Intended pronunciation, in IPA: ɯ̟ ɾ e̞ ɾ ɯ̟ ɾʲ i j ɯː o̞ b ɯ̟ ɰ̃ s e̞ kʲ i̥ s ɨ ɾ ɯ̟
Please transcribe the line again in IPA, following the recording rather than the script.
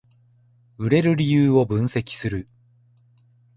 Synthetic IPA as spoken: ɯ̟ ɾ e̞ ɾ ɯ̟ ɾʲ i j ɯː o̞ b ɯ̟̃ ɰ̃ s e̞ kʲ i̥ s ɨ ɾ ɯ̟